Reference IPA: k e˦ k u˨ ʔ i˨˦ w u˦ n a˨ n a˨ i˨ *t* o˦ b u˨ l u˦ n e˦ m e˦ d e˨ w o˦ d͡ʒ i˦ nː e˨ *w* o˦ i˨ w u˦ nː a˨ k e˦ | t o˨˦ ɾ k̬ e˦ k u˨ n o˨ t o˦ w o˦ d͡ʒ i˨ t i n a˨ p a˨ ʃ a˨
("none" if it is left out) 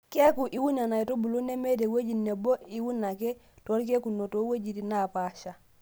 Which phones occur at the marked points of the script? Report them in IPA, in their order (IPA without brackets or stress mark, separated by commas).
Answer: t, b